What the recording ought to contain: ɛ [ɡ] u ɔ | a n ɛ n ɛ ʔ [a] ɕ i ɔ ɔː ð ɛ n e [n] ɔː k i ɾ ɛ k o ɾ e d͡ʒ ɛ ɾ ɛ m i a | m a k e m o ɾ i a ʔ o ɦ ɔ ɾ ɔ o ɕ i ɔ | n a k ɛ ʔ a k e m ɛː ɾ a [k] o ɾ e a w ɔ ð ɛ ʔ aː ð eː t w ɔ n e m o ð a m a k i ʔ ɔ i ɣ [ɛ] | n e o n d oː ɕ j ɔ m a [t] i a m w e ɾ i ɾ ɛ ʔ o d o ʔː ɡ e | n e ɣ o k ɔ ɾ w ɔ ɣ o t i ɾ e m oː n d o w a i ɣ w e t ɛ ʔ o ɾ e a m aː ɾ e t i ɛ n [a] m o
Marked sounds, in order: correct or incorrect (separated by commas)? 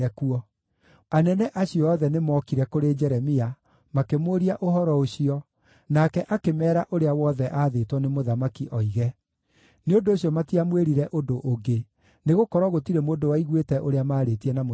incorrect, correct, incorrect, incorrect, correct, correct, correct